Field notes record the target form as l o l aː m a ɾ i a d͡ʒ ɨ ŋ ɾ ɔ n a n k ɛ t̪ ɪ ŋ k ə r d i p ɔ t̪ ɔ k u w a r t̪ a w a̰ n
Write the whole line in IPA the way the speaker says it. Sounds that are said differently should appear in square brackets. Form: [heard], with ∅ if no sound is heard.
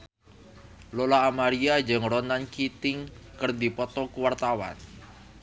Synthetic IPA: l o l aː m a ɾ i a d͡ʒ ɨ ŋ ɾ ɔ n a n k [i] t̪ ɪ ŋ k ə r d i p ɔ t̪ ɔ k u w a r t̪ a w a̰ n